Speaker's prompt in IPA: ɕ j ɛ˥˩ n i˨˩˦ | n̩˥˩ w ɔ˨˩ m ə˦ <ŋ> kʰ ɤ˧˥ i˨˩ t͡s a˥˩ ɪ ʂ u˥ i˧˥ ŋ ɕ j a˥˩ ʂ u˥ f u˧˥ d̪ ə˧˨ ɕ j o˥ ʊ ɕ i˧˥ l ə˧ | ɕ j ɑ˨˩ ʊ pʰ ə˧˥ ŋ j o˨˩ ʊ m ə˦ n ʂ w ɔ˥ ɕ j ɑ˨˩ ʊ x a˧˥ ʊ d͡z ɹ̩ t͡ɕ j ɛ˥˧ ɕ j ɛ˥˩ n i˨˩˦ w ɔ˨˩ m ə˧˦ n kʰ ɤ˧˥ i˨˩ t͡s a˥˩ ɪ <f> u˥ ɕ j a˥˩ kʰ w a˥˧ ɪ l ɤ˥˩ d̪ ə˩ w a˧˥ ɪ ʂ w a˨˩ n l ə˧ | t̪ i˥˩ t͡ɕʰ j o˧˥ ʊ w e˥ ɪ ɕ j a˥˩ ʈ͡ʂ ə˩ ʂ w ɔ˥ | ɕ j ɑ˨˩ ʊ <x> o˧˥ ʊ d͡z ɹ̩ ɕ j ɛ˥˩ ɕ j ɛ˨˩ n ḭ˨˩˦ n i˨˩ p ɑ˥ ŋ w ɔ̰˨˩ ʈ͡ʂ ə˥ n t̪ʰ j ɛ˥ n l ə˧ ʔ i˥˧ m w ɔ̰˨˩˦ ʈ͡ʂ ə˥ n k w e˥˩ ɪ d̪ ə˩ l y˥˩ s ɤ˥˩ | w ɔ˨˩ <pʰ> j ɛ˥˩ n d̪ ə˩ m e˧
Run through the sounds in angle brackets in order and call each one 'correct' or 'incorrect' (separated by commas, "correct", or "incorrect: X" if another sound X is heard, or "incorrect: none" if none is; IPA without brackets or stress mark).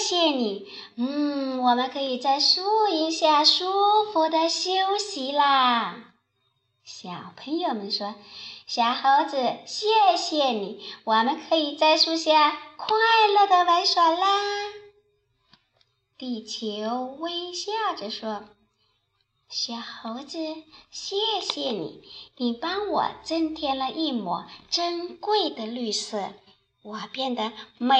incorrect: n, incorrect: ʂ, correct, incorrect: p